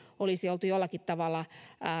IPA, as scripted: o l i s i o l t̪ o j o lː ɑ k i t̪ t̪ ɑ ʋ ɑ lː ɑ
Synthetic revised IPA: o l i s i o l t̪ u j o lː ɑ k i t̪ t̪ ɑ ʋ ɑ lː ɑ